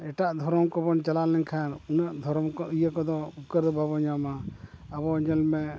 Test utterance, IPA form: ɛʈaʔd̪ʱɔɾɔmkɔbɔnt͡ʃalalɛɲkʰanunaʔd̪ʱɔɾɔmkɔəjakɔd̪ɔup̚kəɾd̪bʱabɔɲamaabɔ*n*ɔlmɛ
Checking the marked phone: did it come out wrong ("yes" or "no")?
yes